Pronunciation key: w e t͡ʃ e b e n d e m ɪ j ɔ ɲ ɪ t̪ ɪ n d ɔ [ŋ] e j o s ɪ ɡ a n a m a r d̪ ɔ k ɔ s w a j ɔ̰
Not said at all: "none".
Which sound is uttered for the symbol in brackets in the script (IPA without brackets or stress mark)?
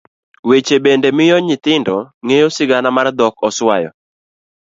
ŋ